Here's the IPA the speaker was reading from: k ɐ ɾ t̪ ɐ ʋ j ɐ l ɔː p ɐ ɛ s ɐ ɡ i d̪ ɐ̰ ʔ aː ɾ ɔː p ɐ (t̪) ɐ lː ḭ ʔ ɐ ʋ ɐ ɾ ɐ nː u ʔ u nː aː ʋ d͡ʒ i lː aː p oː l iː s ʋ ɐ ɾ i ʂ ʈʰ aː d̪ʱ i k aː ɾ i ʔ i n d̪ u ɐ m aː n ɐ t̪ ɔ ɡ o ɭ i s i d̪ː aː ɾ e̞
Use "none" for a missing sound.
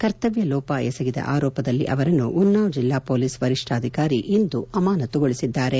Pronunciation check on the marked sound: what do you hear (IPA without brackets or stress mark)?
d̪